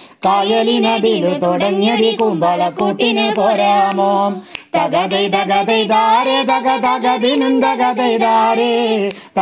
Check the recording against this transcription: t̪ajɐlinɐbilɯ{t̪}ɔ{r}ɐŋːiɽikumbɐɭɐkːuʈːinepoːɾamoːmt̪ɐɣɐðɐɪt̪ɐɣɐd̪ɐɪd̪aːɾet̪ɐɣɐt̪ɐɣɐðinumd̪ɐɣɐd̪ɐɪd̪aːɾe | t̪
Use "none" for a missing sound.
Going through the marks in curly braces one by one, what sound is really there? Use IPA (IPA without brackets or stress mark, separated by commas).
t̪, ɽ